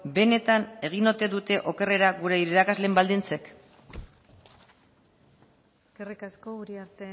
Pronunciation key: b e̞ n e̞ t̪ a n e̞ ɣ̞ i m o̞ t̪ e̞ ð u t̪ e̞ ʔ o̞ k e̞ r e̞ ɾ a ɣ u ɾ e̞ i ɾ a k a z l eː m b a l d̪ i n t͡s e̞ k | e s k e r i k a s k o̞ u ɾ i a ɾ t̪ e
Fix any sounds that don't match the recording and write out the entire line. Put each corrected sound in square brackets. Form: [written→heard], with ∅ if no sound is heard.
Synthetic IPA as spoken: b e̞ n e̞ t̪ a n e̞ ɣ̞ i [m→n] o̞ t̪ e̞ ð u t̪ e̞ ʔ o̞ k e̞ r e̞ ɾ a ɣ u ɾ e̞ i ɾ a k a z l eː m b a l d̪ i n t͡s e̞ k | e s k e r i k a s k o̞ u ɾ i a ɾ t̪ e